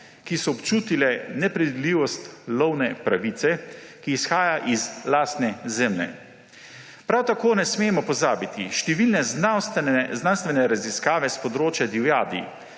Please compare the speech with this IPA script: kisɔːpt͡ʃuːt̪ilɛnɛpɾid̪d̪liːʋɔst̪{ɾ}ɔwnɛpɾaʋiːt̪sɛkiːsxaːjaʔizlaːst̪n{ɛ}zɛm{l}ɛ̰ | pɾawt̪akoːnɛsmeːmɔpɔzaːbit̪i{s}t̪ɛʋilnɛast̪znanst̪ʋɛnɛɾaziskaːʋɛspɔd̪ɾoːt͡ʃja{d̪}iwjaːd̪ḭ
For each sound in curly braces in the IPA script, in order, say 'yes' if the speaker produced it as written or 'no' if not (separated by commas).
no, yes, yes, no, yes